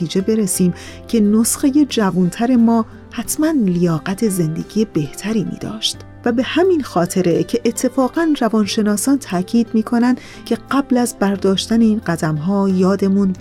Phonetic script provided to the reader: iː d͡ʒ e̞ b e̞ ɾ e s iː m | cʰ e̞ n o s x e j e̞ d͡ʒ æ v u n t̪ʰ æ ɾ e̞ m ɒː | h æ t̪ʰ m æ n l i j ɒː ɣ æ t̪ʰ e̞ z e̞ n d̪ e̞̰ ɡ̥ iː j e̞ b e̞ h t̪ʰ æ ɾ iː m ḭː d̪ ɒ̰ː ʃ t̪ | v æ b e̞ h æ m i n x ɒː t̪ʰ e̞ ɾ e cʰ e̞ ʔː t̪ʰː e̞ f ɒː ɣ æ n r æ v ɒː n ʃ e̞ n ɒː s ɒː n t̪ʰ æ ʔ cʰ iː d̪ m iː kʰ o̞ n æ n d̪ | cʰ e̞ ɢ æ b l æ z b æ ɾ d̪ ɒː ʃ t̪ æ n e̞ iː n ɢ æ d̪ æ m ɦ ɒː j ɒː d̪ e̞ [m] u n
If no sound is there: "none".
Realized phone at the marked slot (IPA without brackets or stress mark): m